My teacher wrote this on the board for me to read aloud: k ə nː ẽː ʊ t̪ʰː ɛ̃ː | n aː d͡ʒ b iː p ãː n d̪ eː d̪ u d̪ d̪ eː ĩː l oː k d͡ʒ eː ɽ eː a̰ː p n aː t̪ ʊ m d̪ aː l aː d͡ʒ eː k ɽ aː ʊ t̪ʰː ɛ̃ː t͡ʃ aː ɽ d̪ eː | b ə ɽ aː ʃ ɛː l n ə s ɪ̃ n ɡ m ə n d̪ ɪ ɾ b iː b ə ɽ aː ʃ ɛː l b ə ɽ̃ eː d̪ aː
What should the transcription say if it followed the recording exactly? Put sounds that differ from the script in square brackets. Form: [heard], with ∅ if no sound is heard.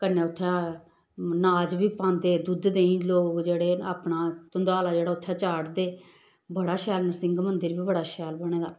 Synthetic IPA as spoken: k ə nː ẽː ʊ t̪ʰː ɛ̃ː | n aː d͡ʒ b iː p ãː n d̪ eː d̪ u d̪ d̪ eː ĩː l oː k d͡ʒ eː ɽ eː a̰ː p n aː t̪ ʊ [n] d̪ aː l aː d͡ʒ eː [∅] ɽ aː ʊ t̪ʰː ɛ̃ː t͡ʃ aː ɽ d̪ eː | b ə ɽ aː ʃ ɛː l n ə s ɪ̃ [ŋ] ɡ m ə n d̪ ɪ ɾ b iː b ə ɽ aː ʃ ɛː l b ə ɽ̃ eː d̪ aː